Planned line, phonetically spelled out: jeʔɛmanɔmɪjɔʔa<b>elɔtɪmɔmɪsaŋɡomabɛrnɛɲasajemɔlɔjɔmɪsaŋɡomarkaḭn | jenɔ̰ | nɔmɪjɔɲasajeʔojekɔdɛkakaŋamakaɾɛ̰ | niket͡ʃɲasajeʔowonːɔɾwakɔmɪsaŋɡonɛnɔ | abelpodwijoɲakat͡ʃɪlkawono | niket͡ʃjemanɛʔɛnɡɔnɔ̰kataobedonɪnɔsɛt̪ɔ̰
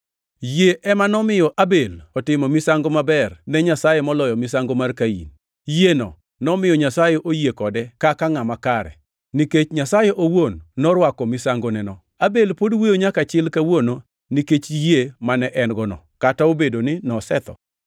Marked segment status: correct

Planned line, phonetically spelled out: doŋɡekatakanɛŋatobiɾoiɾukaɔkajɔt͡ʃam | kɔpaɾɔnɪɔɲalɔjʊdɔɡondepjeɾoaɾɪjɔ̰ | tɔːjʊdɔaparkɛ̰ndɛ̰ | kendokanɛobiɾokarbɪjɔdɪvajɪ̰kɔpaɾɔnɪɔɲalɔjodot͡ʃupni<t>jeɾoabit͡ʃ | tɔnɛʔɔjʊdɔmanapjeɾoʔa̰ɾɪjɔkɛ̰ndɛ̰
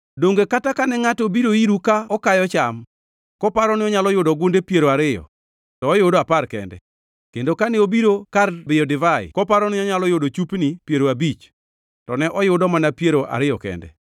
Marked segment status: incorrect: p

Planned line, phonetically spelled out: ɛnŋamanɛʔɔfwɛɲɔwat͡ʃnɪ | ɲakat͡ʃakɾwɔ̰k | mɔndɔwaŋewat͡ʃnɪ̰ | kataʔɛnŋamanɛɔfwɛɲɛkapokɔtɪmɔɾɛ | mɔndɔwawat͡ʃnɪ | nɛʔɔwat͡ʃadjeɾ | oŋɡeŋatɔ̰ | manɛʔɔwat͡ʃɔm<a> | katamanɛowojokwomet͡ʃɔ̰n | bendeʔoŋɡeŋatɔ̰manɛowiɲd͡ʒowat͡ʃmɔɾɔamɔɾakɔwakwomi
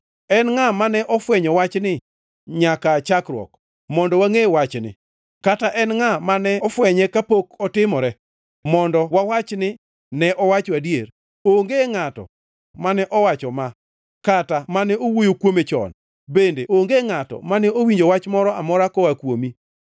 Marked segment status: correct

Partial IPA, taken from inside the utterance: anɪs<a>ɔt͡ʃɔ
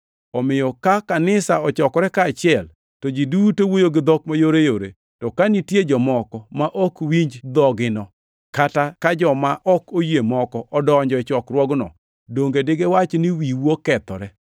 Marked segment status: correct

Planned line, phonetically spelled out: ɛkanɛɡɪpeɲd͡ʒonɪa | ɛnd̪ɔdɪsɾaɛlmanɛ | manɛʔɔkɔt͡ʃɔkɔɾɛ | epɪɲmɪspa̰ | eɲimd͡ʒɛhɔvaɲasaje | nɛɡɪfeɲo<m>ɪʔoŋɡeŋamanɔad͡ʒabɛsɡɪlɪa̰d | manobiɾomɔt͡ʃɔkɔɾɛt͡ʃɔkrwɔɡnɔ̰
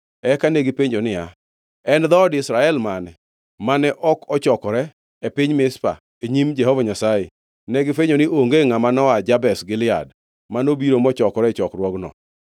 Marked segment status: incorrect: n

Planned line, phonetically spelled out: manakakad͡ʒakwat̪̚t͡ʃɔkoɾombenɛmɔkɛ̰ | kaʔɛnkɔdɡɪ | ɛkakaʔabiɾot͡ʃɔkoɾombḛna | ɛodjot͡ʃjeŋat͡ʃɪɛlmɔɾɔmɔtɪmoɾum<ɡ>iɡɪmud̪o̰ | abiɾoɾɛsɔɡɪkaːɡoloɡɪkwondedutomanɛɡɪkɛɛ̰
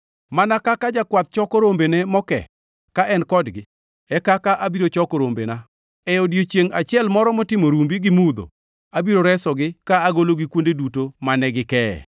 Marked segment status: incorrect: b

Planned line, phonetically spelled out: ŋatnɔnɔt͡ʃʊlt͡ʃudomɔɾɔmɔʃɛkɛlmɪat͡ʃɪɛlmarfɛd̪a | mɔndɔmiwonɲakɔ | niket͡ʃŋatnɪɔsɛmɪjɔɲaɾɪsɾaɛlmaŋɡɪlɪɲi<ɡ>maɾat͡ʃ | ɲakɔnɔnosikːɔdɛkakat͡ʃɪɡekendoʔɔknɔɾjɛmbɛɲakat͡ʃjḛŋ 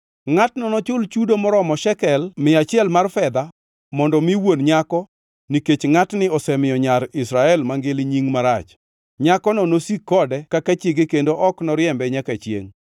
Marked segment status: incorrect: ŋ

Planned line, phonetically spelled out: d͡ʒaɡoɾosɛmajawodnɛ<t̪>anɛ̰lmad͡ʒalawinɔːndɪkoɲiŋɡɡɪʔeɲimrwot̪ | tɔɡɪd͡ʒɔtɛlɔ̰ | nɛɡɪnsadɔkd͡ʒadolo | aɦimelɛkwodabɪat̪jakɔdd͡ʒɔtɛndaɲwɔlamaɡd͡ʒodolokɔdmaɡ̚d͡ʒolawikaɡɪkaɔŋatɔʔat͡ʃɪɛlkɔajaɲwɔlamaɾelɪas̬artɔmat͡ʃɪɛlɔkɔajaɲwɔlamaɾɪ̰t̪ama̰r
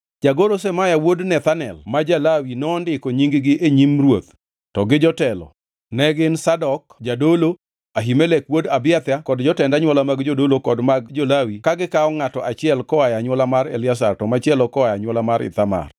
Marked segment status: correct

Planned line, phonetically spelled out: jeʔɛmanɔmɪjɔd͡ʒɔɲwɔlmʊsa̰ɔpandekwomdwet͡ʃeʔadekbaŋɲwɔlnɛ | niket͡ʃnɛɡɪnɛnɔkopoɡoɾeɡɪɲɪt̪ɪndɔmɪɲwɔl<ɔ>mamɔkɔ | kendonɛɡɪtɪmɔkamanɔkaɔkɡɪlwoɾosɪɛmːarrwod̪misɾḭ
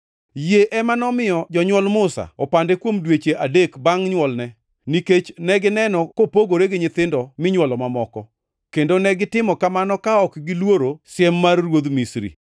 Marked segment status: correct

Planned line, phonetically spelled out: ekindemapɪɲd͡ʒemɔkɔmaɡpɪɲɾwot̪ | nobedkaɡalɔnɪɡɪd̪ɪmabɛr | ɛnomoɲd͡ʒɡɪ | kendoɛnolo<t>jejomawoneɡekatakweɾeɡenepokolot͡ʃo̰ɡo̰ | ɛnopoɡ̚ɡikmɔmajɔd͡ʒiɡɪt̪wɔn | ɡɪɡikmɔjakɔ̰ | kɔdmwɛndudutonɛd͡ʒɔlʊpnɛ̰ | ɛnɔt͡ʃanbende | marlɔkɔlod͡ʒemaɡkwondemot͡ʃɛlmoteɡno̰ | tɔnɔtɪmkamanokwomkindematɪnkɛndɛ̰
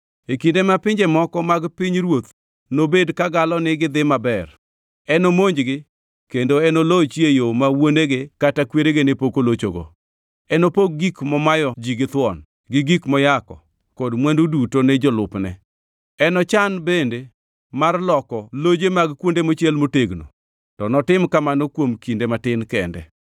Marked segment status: incorrect: t͡ʃ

